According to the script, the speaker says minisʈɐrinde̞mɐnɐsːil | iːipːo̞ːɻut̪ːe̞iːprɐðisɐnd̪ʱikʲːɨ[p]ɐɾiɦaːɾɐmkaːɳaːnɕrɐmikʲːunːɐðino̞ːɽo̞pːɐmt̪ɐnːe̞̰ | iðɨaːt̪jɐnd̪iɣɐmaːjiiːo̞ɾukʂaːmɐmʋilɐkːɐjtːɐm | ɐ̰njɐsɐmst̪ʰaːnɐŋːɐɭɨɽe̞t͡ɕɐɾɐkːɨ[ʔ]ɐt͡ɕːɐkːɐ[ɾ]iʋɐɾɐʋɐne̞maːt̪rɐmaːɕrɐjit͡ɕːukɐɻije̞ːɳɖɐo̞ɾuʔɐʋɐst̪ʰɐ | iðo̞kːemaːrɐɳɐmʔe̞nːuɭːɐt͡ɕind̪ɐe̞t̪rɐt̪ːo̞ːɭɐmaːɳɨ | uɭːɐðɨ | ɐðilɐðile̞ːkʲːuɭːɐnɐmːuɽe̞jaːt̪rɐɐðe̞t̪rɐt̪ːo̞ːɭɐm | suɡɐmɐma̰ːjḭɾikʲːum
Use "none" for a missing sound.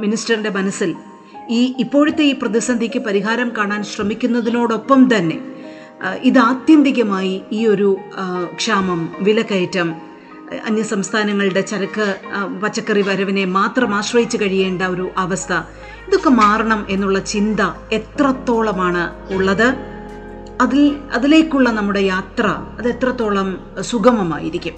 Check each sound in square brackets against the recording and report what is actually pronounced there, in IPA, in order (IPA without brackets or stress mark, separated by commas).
p, p, r